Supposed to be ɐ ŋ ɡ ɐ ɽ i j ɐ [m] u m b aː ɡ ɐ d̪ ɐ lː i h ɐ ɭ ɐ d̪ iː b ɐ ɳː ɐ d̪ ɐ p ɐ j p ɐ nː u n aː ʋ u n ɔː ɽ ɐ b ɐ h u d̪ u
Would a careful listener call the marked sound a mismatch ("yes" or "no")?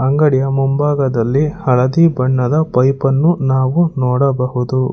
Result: no